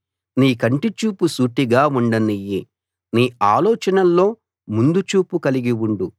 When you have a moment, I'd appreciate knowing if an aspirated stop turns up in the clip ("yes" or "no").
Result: no